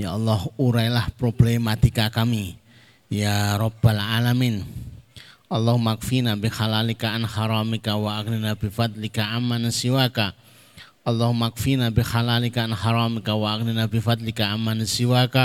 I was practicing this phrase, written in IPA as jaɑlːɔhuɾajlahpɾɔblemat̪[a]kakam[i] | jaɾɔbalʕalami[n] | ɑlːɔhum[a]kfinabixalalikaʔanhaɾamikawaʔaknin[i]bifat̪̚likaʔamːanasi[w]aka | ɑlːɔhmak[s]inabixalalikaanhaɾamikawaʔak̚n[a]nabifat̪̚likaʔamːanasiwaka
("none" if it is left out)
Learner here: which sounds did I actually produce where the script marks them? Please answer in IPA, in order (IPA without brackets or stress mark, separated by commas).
i, i, n, a, a, w, f, i